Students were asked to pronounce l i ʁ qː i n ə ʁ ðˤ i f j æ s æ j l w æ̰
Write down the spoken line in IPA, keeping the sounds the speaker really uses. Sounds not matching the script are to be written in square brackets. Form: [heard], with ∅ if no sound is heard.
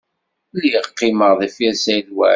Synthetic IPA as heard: l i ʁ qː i [m] ə ʁ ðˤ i f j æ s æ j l w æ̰